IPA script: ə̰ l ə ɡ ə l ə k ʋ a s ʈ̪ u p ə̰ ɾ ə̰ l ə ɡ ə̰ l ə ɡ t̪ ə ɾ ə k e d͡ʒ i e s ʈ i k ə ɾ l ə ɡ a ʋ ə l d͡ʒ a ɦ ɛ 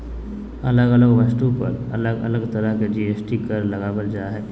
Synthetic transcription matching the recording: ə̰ l ə ɡ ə l ə ɡ ʋ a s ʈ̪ u p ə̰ ɾ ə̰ l ə ɡ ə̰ l ə ɡ t̪ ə ɾ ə k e d͡ʒ i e s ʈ i k ə ɾ l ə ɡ a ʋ ə l d͡ʒ a ɦ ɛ